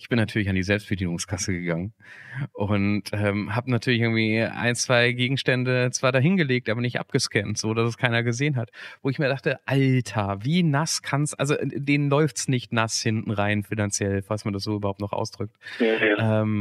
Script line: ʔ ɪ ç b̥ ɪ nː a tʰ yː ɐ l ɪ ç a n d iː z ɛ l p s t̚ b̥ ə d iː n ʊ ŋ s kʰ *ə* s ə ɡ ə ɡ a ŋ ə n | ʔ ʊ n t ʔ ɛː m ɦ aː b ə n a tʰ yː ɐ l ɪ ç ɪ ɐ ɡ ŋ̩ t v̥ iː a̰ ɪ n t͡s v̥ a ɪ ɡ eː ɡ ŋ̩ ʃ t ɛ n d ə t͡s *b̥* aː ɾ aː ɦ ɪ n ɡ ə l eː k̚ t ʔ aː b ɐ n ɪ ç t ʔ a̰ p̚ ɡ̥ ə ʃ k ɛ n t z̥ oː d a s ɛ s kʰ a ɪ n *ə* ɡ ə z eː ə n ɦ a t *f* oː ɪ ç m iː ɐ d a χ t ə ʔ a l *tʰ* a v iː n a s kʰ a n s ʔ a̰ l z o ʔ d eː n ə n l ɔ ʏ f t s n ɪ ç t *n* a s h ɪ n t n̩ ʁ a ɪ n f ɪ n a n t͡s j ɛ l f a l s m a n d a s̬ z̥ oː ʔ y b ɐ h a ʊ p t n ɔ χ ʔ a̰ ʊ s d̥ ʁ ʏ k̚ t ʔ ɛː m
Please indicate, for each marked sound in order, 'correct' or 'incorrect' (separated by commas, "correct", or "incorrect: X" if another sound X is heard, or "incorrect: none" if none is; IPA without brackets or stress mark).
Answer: incorrect: a, incorrect: v̥, incorrect: ɐ, incorrect: v, correct, correct